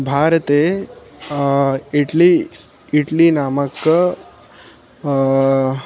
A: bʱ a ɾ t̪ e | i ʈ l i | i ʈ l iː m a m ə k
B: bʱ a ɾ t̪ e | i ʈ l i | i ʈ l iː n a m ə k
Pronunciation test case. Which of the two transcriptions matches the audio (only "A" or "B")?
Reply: B